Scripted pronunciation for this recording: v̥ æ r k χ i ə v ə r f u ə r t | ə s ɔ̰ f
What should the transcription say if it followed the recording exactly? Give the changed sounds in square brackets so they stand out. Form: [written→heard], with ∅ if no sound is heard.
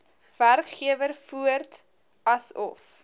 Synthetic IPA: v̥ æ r k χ i ə v ə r f u ə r t | [ə→ɐ] s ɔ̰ f